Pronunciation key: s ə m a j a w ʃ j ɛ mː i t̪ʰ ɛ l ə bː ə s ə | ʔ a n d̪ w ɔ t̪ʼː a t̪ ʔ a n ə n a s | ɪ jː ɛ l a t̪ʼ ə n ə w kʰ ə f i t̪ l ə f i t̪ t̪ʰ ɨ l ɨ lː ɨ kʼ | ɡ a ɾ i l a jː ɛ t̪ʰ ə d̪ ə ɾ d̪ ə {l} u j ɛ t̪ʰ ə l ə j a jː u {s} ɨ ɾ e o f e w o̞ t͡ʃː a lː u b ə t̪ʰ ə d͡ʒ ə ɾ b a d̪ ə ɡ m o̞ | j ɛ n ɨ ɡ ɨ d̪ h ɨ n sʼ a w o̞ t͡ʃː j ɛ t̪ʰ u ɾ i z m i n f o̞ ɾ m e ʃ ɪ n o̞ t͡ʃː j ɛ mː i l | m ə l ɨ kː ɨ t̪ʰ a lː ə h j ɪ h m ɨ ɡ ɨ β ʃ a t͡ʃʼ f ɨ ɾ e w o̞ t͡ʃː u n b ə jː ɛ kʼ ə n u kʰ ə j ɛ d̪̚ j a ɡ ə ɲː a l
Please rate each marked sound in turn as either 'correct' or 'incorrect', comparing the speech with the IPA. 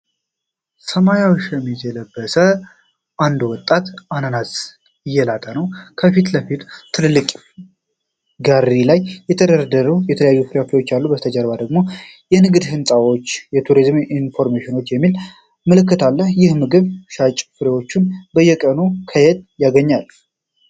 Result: incorrect: ɾ, incorrect: f

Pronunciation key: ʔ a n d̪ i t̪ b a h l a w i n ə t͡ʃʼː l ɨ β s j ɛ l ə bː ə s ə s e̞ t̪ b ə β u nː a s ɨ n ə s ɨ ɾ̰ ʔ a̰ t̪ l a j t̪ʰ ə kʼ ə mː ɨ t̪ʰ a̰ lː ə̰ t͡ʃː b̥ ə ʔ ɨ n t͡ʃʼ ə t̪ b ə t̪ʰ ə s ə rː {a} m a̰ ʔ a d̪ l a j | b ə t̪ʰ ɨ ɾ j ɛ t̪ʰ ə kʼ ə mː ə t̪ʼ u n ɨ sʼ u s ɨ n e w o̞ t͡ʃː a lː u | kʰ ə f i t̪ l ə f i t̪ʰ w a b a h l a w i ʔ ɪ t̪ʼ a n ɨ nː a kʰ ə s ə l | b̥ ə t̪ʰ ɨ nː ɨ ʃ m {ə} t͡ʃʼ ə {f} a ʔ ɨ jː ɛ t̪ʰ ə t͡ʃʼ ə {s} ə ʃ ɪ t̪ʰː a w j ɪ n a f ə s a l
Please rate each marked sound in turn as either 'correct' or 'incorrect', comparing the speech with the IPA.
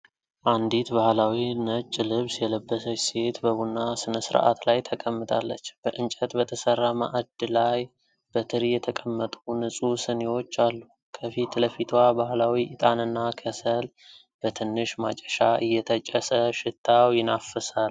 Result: correct, incorrect: a, incorrect: ʃ, correct

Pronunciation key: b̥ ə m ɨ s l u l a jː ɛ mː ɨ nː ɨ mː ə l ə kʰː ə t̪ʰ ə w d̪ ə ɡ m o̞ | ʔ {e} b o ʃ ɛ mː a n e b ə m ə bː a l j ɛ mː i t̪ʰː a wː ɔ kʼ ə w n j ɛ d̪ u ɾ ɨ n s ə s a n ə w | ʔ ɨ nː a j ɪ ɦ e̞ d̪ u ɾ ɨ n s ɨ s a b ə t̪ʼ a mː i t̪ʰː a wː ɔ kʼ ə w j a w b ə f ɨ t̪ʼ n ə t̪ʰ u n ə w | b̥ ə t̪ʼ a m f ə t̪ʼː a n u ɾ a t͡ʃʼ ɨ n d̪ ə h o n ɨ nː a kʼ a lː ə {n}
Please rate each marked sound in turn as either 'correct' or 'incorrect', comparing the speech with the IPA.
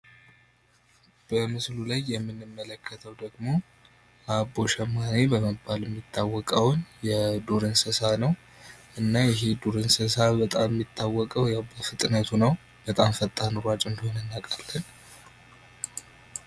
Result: incorrect: a, correct

